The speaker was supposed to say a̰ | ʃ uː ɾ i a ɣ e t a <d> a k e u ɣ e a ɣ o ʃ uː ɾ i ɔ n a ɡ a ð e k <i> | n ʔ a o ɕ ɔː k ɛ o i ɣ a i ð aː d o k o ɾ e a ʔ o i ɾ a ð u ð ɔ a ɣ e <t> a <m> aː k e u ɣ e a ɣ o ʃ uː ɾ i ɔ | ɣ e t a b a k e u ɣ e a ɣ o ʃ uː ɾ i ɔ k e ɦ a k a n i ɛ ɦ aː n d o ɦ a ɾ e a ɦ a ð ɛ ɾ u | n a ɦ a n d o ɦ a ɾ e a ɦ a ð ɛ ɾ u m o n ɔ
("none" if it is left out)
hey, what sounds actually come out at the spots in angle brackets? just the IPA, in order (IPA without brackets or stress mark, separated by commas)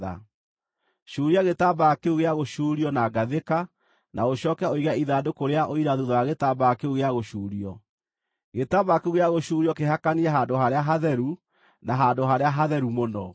b, a, t, b